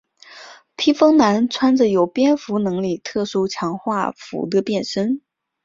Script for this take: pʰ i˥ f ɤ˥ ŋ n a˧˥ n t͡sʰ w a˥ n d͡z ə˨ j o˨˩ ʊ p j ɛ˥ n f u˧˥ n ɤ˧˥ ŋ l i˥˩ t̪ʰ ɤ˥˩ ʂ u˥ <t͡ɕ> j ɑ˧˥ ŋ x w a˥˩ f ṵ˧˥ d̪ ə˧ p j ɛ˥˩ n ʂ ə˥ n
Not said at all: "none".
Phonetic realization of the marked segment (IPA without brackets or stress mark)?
t͡ɕʰ